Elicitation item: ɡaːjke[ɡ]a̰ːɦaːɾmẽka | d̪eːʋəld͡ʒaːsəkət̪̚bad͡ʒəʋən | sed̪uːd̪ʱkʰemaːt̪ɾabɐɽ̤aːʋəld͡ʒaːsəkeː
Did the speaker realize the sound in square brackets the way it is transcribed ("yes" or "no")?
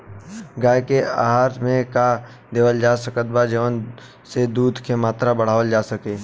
no